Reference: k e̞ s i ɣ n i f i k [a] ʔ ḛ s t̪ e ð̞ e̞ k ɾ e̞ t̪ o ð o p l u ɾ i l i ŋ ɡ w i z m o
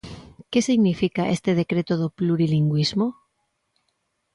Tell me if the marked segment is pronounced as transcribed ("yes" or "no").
yes